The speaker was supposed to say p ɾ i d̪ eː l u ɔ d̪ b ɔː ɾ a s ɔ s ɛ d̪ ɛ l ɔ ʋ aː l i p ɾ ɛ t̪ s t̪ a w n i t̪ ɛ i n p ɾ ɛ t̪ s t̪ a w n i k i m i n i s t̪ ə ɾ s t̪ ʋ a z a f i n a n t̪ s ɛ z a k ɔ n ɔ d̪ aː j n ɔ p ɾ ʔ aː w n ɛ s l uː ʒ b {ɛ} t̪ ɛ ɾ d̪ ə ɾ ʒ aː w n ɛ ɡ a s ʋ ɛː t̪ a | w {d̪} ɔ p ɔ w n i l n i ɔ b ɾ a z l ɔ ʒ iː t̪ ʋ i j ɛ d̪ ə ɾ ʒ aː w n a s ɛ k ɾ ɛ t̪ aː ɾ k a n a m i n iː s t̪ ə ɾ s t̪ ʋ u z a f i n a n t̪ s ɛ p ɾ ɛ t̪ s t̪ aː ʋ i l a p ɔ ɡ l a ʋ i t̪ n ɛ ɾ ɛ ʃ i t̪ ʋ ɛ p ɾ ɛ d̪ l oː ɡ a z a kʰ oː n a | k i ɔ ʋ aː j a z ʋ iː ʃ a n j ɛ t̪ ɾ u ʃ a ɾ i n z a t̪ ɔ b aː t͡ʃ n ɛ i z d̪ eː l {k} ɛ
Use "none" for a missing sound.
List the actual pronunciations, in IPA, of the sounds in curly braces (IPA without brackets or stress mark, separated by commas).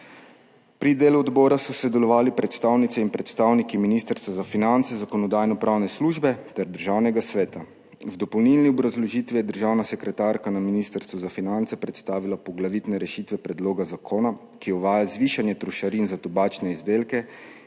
ɛ, d̪, k